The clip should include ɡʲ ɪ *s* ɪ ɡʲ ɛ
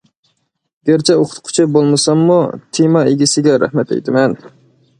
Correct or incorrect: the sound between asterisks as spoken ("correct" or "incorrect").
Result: correct